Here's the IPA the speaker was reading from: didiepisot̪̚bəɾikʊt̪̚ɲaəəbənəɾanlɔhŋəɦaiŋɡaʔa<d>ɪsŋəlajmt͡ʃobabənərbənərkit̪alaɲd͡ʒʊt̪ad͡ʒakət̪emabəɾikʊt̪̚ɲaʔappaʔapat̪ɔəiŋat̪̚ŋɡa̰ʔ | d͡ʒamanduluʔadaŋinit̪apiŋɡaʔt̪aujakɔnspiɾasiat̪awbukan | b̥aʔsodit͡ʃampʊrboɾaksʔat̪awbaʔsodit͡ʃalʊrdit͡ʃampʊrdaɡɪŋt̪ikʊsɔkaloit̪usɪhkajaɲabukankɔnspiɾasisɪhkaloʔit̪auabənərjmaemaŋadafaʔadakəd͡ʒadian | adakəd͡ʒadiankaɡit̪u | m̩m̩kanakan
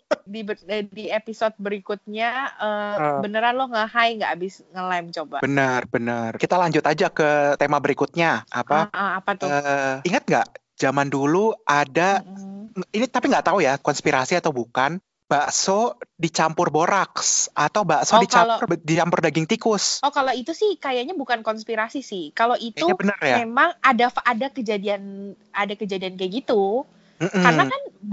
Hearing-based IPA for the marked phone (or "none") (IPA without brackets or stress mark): b